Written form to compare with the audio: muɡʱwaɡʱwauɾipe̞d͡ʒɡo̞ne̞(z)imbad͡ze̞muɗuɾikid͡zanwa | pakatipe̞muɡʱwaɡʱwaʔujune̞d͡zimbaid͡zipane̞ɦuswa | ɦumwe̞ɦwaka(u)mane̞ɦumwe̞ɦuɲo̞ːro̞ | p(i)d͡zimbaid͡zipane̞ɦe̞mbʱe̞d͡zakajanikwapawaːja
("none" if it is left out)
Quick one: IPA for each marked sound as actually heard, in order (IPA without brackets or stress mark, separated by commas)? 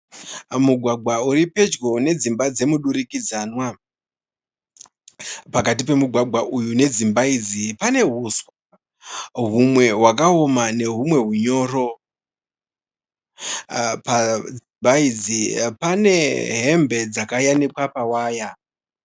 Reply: d͡z, o, a